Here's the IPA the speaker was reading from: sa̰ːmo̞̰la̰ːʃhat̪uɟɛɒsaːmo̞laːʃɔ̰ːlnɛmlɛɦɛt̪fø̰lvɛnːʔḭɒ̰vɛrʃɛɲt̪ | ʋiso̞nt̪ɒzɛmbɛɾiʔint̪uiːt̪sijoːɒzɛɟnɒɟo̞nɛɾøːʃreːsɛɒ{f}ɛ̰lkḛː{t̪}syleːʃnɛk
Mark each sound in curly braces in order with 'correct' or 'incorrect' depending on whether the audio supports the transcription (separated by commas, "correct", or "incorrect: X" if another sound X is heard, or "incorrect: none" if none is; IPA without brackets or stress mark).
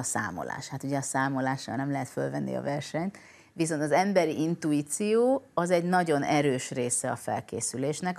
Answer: correct, incorrect: none